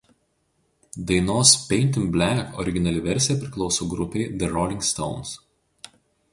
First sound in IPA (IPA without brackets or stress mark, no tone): d̪